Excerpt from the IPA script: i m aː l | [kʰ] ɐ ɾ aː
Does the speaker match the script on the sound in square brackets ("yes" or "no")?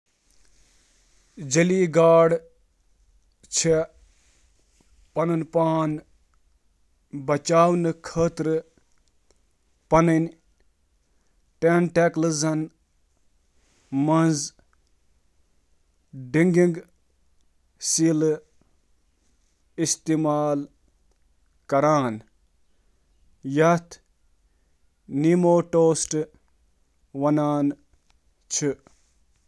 no